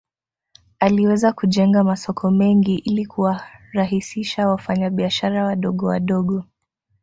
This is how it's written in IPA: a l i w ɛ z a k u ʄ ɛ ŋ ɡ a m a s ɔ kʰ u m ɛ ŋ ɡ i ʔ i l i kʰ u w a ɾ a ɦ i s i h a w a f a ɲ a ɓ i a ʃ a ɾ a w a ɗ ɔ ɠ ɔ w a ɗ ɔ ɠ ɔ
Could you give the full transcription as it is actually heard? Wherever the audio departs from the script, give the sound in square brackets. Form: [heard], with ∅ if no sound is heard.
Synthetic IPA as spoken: a l i w ɛ z a k u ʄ ɛ ŋ ɡ a m a s ɔ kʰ [ɔ] m ɛ ŋ ɡ i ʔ i l i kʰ u w a ɾ a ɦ i s i [ʃ] a w a f a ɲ a ɓ i a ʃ a ɾ a w a ɗ ɔ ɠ ɔ w a ɗ ɔ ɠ ɔ